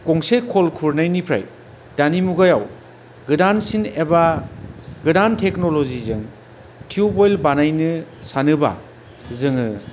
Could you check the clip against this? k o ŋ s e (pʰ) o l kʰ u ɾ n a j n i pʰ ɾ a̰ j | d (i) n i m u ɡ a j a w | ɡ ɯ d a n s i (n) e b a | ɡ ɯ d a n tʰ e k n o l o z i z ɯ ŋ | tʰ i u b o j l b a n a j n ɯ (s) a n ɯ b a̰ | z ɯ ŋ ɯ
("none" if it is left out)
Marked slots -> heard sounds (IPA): kʰ, a, n, s

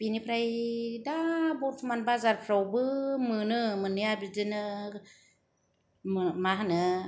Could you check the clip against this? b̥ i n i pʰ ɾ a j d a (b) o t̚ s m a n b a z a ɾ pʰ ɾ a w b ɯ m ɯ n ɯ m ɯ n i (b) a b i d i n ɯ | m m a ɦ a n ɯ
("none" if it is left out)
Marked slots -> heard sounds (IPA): b, none

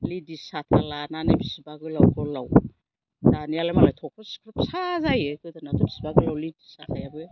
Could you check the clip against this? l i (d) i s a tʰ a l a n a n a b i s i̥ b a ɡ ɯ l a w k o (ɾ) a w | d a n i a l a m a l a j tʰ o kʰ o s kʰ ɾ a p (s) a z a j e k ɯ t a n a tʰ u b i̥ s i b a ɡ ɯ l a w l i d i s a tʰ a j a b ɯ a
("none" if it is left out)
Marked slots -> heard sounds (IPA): d, l, s

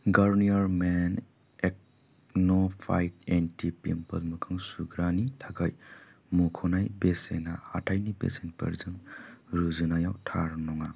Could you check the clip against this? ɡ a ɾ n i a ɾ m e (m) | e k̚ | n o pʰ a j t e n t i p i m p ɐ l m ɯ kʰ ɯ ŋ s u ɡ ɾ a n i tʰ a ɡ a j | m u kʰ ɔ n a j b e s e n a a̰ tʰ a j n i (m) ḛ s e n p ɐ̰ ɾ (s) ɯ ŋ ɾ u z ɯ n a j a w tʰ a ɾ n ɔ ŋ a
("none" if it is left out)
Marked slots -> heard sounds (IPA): n, b, z

